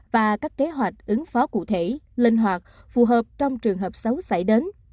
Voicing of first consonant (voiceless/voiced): voiced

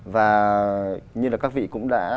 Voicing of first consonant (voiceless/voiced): voiced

